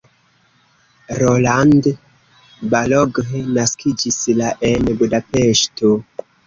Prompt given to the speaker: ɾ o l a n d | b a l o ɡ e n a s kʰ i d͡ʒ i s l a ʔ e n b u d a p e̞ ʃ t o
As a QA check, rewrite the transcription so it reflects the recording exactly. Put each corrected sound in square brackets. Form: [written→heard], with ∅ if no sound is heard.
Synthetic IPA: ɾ o l a n d | b a l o ɡ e n a s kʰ i d͡ʒ i s l a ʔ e n b u d a p e̞ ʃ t o